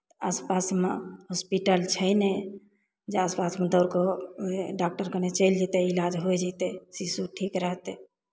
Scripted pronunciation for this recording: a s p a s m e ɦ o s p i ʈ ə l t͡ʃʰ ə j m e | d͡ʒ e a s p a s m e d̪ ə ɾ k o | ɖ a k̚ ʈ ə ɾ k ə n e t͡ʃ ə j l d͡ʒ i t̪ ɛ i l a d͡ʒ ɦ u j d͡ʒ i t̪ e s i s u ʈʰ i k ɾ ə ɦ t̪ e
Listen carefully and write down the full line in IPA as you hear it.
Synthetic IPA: a s p a s m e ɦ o s p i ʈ ə l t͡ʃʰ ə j n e | d͡ʒ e a s p a s m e d̪ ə ɾ k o | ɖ a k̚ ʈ ə ɾ k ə n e t͡ʃ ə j l d͡ʒ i t̪ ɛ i l a d͡ʒ ɦ o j d͡ʒ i t̪ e s i s u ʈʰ i k ɾ ə ɦ t̪ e